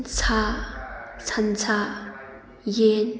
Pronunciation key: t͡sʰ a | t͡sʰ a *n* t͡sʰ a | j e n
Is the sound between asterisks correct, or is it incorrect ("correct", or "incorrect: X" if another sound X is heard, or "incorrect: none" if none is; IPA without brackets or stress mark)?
correct